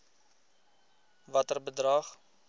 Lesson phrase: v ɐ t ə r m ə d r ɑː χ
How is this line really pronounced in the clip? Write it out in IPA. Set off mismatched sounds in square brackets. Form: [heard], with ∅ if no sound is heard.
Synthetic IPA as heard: v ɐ t ə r [b] ə d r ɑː χ